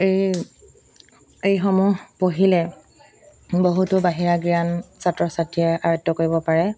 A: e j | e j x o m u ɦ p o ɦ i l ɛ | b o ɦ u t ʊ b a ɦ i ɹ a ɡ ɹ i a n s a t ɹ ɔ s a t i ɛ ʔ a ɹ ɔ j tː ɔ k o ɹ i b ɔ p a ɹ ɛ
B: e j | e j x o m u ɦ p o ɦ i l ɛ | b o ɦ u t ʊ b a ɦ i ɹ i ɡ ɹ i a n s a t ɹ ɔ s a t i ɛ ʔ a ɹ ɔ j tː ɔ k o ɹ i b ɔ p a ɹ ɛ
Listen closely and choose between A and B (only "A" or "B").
A